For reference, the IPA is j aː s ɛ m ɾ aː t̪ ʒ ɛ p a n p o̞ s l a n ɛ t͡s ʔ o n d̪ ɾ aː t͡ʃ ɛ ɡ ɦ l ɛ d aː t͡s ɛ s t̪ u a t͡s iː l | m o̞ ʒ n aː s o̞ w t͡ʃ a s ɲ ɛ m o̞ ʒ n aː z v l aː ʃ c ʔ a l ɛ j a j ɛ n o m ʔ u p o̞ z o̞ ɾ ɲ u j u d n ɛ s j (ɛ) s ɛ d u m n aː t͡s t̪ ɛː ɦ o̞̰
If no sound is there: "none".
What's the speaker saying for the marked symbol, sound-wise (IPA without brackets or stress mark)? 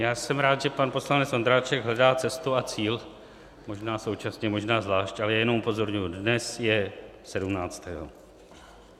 ɛ